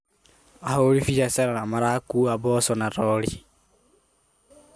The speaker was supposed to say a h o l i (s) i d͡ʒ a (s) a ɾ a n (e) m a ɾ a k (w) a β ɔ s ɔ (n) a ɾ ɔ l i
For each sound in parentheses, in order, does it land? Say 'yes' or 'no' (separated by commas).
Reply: no, yes, no, no, yes